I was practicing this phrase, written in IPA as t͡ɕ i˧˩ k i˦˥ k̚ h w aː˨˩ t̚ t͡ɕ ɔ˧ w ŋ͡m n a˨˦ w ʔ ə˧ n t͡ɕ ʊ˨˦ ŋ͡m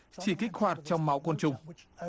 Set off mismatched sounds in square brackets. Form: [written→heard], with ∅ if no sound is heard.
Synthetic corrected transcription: t͡ɕ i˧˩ k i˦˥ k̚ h w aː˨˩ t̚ t͡ɕ ɔ˧ w ŋ͡m [n→m] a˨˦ w [ʔ→k] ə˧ n t͡ɕ [ʊ˨˦→ʊ˨˩] ŋ͡m